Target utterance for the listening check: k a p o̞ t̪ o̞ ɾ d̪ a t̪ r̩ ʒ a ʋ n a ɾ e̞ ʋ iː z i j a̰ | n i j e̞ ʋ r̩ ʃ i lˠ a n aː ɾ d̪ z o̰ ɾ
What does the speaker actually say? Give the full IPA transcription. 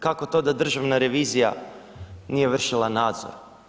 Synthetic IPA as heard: k a k o̞ t̪ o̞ d̪ a d̪ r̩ ʒ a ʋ n a ɾ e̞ ʋ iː z i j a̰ | n i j e̞ ʋ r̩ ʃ i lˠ a n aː d̪ z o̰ ɾ